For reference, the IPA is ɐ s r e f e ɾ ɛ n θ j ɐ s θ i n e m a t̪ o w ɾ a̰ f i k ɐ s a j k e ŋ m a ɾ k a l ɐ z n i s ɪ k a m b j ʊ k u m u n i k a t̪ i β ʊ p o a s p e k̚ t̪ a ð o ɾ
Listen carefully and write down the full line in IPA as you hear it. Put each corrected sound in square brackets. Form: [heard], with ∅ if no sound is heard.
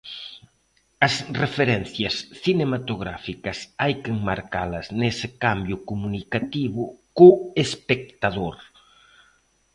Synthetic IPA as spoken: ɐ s r e f e ɾ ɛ n θ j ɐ s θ i n e m a t̪ o [ɣ] ɾ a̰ f i k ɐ s a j k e ŋ m a ɾ k a l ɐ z n [e] s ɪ k a m b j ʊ k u m u n i k a t̪ i β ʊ [k] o [e] s p e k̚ t̪ a ð o ɾ